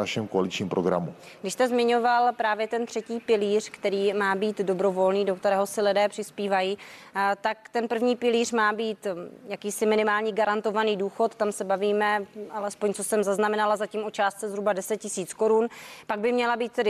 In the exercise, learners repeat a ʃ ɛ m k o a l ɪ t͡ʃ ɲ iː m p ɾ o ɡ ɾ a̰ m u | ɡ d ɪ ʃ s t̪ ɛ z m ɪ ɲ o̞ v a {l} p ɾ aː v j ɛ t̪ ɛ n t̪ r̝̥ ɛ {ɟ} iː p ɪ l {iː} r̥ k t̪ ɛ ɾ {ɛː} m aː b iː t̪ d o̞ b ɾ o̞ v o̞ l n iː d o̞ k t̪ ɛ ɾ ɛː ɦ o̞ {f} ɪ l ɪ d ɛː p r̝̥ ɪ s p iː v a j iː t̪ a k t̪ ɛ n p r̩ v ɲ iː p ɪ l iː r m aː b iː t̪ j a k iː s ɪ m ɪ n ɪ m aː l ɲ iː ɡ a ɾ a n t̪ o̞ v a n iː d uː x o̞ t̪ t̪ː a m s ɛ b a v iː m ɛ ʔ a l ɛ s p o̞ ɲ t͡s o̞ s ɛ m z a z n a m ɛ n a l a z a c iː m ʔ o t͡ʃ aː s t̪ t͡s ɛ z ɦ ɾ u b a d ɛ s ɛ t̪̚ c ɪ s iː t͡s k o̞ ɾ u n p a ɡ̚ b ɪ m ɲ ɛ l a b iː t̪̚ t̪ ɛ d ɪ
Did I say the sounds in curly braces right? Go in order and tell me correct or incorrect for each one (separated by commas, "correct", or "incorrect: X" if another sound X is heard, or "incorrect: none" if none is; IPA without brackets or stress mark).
correct, incorrect: c, correct, incorrect: iː, incorrect: s